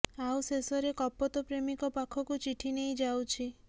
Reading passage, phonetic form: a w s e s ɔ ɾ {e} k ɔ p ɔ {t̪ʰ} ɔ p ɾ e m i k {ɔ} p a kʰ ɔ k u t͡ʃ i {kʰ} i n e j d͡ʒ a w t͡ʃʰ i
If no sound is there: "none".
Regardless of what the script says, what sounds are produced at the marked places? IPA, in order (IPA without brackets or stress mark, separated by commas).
e, t̪, ɔ, ʈʰ